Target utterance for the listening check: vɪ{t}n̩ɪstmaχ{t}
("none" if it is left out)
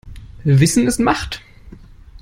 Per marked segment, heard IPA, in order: s, t

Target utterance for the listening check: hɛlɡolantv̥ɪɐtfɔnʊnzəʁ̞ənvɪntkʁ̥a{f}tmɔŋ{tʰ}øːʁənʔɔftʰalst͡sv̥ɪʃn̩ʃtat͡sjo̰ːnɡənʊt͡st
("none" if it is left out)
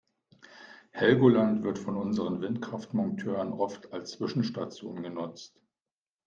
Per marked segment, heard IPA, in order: f, tʰ

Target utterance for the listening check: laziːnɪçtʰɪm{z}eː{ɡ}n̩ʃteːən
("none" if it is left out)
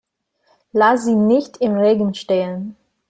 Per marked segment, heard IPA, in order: ʁ, ɡ

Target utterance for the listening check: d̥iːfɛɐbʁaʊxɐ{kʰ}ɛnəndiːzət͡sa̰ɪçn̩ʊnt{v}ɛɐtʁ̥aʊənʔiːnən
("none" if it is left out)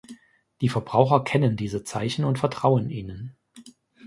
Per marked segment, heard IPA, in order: kʰ, f

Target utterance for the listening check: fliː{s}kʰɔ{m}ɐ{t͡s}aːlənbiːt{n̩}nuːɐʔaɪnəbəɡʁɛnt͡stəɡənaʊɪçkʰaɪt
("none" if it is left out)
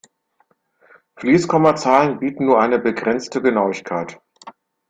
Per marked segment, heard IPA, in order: s, m, t͡s, n̩

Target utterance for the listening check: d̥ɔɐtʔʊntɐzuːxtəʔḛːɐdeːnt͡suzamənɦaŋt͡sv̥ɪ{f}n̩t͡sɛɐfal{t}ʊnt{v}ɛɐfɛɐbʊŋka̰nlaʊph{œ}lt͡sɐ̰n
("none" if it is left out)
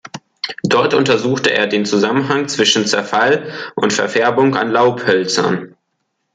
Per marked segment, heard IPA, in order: ʃ, ʔ, f, œ

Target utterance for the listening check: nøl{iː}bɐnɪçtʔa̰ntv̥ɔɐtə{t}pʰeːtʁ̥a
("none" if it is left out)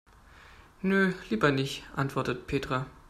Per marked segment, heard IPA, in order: iː, t

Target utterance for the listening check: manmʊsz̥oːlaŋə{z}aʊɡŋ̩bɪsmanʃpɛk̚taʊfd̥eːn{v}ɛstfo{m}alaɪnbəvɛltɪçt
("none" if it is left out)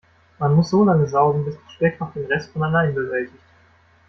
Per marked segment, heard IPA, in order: z, ʁ, n

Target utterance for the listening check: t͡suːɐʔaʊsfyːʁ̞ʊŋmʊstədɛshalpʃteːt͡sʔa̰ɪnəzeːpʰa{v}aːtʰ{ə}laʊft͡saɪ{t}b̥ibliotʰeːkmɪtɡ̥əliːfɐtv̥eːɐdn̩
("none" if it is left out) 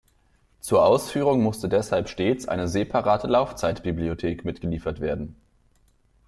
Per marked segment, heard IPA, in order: ʁ, ə, t

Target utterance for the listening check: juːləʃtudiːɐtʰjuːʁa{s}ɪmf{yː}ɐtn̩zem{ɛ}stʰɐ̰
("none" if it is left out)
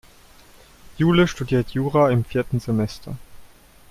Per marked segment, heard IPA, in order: none, iː, ɛ

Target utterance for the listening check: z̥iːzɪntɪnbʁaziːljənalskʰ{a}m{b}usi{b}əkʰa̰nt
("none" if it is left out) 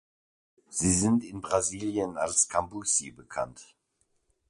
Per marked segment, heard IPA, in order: a, b, b

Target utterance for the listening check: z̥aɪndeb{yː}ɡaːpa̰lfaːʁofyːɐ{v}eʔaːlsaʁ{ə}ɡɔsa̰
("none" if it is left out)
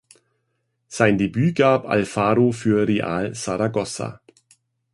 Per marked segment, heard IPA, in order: yː, ʁ, a

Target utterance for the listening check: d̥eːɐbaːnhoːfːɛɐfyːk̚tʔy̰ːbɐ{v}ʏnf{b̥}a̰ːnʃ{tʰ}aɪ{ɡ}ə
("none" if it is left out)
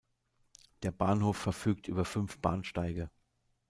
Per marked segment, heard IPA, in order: f, b̥, t, ɡ

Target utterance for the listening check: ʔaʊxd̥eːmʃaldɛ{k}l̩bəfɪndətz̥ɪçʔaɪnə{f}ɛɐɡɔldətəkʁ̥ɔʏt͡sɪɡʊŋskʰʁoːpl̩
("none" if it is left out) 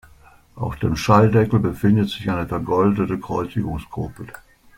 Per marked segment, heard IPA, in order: k, f

